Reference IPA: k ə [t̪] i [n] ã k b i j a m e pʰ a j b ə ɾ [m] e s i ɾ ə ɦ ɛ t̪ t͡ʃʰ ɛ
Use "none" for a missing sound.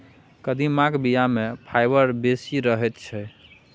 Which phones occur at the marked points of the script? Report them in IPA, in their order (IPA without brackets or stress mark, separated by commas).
d̪, m, b